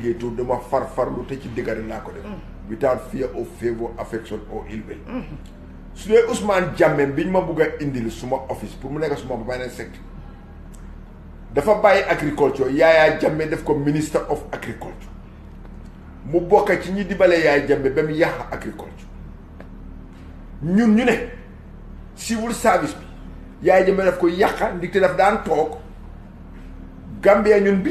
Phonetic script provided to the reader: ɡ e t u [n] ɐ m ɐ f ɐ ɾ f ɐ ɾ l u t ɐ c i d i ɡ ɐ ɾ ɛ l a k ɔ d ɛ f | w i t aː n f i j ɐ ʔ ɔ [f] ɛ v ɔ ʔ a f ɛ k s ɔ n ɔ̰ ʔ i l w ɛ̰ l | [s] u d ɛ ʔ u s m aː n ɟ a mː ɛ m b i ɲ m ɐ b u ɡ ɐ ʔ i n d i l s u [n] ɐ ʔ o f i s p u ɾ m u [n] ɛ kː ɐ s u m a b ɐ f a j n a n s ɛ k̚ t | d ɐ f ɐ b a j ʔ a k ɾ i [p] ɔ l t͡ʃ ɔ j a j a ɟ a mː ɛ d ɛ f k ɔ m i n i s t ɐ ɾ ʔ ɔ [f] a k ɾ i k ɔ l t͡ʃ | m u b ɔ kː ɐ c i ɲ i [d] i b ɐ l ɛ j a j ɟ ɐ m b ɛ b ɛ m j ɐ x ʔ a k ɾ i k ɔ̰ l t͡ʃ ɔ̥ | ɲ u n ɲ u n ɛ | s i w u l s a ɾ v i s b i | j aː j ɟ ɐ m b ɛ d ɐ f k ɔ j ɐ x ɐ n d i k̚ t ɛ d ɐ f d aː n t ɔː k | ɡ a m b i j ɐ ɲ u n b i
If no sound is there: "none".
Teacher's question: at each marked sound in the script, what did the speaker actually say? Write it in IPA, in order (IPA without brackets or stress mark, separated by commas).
d, f, s, m, n, k, f, d